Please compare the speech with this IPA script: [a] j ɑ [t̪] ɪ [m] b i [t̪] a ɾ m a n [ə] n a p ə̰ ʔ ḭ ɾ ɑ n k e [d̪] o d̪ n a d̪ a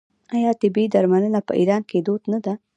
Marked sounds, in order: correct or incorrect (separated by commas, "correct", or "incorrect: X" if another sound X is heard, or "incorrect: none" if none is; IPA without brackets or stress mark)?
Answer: correct, correct, incorrect: none, incorrect: d̪, correct, correct